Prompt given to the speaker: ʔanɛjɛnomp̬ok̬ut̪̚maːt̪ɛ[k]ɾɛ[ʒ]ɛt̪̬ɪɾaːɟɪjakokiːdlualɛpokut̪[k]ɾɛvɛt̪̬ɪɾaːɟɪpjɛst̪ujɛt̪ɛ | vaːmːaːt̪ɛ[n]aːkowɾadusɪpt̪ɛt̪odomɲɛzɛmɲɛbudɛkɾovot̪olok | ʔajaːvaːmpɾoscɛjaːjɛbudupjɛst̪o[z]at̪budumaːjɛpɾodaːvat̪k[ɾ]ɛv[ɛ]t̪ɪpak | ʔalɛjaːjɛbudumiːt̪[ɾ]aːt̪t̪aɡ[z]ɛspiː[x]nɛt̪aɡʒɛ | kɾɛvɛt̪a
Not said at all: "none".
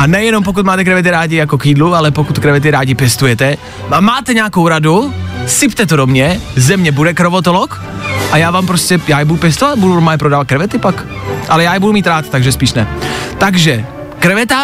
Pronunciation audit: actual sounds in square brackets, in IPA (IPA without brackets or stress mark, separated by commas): k, v, k, ɲ, v, ɾ, ɛ, ɾ, ʒ, ʃ